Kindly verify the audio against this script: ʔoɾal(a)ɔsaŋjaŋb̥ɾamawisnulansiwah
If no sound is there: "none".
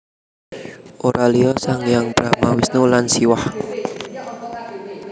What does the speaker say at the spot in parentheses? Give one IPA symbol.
i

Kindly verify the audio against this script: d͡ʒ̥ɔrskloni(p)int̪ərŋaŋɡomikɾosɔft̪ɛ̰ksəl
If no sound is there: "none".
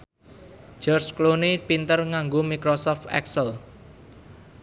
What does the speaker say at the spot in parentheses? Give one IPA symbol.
p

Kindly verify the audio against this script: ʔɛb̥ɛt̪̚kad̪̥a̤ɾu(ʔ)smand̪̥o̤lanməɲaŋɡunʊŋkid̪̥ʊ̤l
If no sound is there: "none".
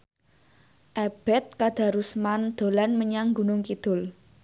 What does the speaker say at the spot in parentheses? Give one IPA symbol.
none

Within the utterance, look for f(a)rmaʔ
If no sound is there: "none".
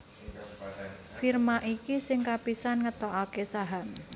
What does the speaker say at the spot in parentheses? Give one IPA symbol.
i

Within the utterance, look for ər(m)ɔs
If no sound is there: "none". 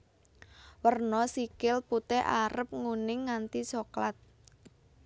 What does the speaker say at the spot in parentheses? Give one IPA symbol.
n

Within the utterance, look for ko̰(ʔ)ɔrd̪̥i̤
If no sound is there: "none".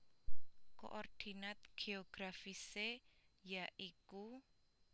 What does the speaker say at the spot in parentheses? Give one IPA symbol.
ʔ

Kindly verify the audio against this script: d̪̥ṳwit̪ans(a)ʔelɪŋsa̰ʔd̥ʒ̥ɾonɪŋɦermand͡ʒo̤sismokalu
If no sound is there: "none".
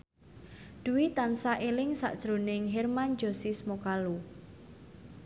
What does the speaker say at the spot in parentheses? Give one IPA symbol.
a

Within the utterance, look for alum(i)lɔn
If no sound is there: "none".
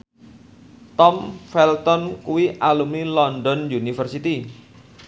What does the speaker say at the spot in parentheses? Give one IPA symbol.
i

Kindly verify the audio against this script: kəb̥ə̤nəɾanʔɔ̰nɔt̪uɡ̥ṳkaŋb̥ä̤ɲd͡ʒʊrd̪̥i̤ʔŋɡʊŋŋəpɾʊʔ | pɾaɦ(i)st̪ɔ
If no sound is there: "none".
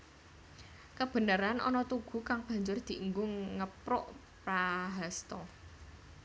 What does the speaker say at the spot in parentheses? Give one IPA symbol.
a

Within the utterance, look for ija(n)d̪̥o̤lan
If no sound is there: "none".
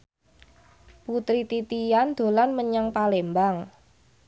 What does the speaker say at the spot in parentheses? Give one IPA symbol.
n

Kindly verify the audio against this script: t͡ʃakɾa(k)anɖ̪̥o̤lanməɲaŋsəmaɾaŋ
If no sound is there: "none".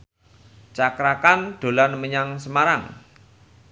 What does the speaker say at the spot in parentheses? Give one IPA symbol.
k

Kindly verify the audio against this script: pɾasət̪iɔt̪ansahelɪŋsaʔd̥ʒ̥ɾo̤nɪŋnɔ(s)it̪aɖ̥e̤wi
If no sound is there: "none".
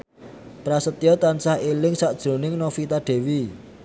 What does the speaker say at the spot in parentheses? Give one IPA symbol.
f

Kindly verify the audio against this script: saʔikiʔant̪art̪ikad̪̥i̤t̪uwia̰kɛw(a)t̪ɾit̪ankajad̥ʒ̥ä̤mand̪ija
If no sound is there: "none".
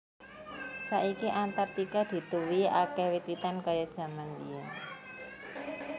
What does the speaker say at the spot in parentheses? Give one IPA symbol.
i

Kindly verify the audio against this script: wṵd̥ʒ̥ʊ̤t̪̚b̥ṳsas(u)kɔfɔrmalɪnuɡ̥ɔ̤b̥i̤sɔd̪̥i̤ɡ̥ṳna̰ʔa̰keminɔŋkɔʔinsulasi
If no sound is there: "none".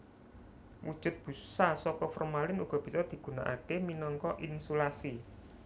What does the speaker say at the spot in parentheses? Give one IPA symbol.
ɔ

